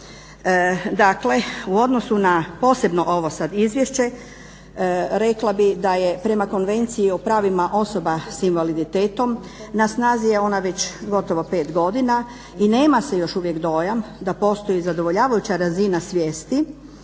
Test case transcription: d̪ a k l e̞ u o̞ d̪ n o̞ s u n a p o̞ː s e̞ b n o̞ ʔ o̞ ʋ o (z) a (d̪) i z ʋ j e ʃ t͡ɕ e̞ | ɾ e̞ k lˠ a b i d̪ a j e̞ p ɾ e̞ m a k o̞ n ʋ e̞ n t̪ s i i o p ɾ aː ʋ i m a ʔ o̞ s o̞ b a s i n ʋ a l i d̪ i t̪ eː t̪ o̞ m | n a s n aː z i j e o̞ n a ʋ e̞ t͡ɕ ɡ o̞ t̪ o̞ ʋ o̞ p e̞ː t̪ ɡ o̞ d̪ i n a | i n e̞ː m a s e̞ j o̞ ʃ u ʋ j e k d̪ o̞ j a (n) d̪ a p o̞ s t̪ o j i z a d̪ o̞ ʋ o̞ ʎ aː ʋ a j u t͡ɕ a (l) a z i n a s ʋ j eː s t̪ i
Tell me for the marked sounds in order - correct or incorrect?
incorrect, correct, incorrect, incorrect

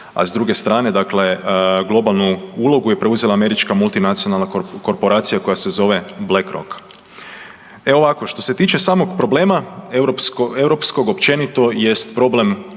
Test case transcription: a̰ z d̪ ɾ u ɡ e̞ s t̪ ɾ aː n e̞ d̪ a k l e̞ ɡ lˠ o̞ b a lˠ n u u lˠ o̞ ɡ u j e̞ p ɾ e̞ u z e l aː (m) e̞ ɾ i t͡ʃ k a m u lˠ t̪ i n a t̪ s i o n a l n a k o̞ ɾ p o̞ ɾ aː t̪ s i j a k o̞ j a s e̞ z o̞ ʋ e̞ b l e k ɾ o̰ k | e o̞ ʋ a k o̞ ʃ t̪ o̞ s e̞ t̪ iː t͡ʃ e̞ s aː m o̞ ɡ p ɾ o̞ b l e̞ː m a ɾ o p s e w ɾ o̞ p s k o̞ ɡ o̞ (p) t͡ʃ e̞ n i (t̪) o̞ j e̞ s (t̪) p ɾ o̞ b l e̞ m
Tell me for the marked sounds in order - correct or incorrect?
correct, correct, correct, correct

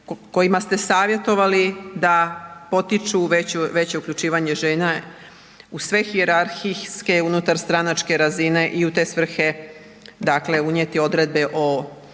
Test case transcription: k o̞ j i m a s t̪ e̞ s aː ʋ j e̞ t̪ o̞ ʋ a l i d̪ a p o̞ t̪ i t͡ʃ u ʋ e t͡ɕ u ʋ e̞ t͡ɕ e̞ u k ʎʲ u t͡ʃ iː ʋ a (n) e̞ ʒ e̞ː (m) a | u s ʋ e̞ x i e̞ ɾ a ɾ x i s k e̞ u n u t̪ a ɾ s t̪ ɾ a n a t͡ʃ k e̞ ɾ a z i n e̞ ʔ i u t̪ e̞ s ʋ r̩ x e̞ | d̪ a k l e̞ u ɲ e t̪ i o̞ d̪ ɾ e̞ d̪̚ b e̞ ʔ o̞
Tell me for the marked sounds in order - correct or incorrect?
incorrect, incorrect

